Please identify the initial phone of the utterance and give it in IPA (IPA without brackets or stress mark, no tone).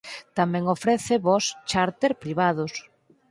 t̪